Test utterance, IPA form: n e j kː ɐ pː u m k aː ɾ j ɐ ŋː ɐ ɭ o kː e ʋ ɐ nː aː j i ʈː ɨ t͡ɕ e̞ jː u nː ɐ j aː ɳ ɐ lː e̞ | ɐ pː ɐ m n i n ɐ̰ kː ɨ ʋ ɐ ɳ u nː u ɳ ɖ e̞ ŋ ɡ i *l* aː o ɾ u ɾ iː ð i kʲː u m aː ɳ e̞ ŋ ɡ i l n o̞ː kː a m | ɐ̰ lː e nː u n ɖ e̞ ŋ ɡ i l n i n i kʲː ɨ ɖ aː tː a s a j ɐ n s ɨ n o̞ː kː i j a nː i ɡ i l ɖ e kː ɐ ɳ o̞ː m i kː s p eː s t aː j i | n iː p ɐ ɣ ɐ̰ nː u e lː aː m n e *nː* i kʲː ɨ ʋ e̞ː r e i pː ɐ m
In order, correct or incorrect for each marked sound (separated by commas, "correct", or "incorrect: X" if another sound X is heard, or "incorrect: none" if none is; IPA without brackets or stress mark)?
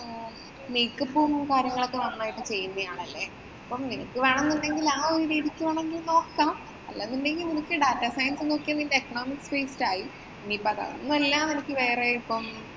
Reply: correct, incorrect: n